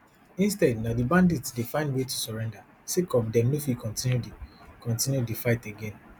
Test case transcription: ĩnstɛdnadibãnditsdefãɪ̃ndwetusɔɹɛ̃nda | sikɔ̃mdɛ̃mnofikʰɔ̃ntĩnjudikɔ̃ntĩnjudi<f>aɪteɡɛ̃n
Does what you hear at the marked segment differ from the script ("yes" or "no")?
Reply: no